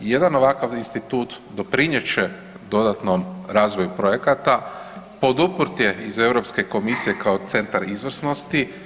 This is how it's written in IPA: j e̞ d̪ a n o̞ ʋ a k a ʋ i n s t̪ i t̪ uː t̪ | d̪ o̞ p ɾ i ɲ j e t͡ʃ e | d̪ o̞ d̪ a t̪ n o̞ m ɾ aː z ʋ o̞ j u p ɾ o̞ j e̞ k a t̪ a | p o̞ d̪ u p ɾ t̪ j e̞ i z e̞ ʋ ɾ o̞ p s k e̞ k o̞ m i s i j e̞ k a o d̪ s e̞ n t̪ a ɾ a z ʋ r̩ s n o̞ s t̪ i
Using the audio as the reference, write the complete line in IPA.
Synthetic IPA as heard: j e̞ d̪ a n o̞ ʋ a k a ʋ i n s t̪ i t̪ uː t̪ | d̪ o̞ p ɾ i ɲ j e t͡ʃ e | d̪ o̞ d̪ a t̪ n o̞ m ɾ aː z ʋ o̞ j u p ɾ o̞ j e̞ k a t̪ a | p o̞ d̪ u p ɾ t̪ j e̞ i z e̞ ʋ ɾ o̞ p s k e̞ k o̞ m i s i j e̞ k a o t̪ s e̞ n t̪ a ɾ i z ʋ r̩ s n o̞ s t̪ i